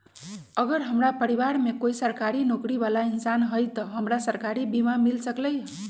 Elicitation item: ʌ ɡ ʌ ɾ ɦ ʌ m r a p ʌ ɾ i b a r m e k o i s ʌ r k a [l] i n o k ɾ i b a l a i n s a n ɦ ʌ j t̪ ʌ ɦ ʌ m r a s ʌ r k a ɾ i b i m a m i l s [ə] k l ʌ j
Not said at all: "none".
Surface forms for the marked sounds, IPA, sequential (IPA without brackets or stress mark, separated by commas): ɾ, ʌ